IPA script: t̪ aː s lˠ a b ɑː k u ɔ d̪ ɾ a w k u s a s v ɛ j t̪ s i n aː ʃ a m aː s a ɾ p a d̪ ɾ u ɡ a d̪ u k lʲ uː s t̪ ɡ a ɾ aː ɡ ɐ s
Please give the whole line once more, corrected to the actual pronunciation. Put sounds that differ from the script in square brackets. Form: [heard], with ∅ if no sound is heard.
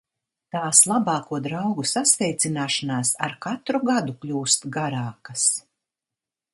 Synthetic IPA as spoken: t̪ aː s lˠ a b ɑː k u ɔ d̪ ɾ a w [ɡ] u s a s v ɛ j t̪ s i n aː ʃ a [n] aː s a ɾ [k] a [t̪] ɾ u ɡ a d̪ u k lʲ uː s t̪ ɡ a ɾ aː [k] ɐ s